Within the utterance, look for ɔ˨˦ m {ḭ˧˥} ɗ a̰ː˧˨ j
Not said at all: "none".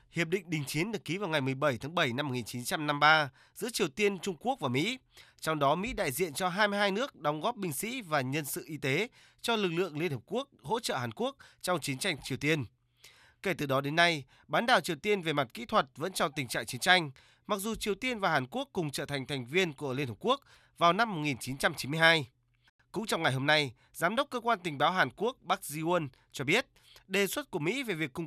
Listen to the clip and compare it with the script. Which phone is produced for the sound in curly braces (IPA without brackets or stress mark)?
ḭ˧˥